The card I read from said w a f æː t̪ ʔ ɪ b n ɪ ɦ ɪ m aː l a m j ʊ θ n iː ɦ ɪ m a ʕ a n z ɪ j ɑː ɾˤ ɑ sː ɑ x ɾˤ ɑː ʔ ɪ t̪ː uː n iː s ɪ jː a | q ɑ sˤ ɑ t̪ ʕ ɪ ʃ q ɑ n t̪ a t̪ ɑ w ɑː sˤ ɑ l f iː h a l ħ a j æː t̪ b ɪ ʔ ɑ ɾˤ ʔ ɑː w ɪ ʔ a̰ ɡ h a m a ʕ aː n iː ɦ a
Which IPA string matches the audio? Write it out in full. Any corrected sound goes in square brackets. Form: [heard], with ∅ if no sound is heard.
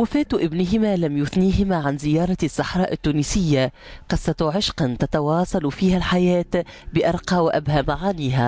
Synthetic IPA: w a f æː t̪ ʔ ɪ b n ɪ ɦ ɪ m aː l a m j ʊ θ n iː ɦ ɪ m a ʕ a n z ɪ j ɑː ɾˤ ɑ sː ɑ [ħ] ɾˤ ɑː ʔ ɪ t̪ː uː n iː s ɪ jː a | q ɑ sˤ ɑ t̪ ʕ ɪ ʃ q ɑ n t̪ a t̪ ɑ w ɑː sˤ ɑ l f iː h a l ħ a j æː t̪ b ɪ ʔ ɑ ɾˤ [q] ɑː w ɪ ʔ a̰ [b] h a m a ʕ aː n iː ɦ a

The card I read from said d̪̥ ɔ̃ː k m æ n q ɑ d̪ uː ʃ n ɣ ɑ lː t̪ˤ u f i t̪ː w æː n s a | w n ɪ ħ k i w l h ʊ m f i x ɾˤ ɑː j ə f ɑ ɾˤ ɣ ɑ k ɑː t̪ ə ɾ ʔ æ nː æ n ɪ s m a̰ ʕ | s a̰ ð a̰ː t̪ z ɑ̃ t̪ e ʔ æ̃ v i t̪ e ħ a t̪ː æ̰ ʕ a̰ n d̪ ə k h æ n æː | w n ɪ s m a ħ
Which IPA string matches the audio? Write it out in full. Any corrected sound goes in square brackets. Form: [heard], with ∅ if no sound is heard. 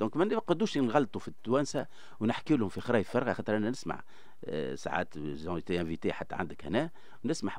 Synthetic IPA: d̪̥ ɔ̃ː k m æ n q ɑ d̪ uː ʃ n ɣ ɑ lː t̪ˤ u f i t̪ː w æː n s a | w n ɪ ħ k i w l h ʊ m f i x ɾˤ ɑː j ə f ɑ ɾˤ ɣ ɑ [x] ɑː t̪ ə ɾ ʔ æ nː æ n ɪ s m a̰ ʕ | s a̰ [ʕ] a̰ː t̪ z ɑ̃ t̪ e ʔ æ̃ v i t̪ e ħ a t̪ː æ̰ ʕ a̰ n d̪ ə k h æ n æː | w n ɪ s m a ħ

